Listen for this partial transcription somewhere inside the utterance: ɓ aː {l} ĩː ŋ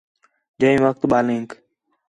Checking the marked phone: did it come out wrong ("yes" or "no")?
no